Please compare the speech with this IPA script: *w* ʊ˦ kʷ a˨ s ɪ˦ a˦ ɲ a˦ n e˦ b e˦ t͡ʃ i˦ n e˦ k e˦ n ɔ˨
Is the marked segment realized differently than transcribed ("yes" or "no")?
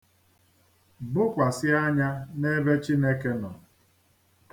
yes